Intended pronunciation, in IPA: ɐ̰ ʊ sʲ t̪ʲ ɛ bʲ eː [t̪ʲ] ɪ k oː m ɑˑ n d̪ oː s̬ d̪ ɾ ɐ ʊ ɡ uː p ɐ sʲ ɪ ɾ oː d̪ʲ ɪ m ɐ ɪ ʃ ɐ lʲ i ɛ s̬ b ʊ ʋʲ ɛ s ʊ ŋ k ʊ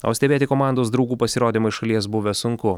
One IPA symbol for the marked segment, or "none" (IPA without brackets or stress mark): t̪ʲ